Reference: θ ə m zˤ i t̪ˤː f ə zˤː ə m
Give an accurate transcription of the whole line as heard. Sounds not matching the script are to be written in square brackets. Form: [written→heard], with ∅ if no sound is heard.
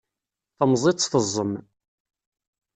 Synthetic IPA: θ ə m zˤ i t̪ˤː [f→θ] ə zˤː ə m

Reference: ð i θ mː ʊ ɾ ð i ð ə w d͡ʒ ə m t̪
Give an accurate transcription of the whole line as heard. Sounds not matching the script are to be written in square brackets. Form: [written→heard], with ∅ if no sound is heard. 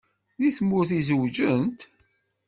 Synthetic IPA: ð i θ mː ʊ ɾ [ð→θ] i [ð→z] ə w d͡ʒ ə [m→n] t̪

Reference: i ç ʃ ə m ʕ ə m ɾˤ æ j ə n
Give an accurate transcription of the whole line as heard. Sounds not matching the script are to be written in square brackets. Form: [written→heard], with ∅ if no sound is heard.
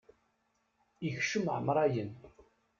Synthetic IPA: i ç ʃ ə m ʕ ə m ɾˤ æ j ə n

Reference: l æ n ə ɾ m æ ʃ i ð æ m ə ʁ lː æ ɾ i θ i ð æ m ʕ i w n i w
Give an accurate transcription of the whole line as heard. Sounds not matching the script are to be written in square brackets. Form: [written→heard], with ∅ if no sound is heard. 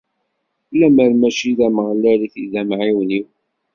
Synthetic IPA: l æ [n→m] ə ɾ m æ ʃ i ð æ m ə ʁ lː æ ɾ i θ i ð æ m ʕ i w n i w

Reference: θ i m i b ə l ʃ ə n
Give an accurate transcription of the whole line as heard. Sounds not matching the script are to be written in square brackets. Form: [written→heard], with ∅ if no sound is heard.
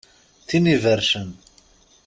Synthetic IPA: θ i [m→n] i [b→v] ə [l→ɾ] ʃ ə n

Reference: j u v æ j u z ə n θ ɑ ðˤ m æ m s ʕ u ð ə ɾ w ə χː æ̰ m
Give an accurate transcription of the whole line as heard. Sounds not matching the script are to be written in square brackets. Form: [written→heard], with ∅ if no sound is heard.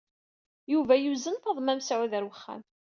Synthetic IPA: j u v æ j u z ə n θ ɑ ðˤ m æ m s ʕ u ð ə ɾ w ə χː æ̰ m

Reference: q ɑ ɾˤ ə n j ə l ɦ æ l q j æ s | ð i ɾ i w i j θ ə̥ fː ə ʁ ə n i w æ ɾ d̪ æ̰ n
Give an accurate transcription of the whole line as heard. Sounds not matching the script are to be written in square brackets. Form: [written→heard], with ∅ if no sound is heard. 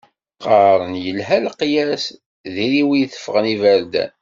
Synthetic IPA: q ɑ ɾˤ ə n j ə l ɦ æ l q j æ s | ð i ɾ i w i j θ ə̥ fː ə ʁ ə n i [w→v] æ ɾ d̪ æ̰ n

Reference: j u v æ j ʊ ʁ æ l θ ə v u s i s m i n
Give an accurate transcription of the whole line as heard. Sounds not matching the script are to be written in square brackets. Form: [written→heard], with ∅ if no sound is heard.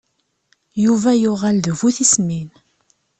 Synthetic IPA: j u v æ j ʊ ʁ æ l [θ→ð] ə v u [s→θ] i s m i n

